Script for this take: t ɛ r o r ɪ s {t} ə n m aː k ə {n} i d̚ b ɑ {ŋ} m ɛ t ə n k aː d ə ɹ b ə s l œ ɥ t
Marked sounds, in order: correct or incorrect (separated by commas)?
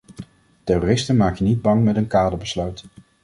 correct, correct, correct